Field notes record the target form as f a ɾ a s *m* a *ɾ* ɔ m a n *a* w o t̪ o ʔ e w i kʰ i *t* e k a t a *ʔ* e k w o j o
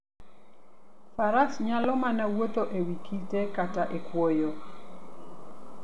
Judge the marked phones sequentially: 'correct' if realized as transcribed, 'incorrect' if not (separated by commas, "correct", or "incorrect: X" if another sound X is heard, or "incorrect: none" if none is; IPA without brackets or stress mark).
incorrect: ɲ, incorrect: l, correct, correct, correct